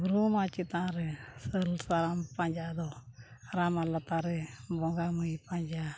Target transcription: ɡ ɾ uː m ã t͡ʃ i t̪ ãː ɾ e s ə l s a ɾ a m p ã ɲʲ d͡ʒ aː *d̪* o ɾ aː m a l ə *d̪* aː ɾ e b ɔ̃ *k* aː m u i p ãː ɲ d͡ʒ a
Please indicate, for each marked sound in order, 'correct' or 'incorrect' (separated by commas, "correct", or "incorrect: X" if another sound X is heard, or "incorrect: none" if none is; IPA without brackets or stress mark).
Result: correct, incorrect: t̪, incorrect: ɡ